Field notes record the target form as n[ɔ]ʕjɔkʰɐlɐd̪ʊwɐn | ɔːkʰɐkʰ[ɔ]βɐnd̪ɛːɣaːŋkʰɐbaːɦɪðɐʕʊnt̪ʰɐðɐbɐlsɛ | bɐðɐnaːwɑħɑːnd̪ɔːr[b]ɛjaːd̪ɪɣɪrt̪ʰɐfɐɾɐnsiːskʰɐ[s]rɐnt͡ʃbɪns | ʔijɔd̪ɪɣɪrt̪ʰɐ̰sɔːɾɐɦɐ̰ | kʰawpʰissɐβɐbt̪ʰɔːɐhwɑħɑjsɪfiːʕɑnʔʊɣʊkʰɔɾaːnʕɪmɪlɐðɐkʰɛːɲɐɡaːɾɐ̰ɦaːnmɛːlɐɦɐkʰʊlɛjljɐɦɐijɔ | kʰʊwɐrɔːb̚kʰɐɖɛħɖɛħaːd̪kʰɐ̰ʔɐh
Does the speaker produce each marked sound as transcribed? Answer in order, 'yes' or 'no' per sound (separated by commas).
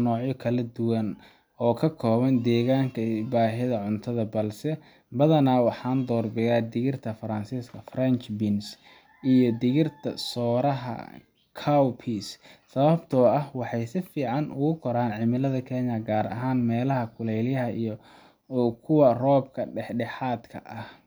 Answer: no, no, yes, no